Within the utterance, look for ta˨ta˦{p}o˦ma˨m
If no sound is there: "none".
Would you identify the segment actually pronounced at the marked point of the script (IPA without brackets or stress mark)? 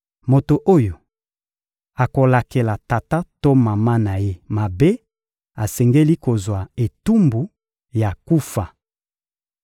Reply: t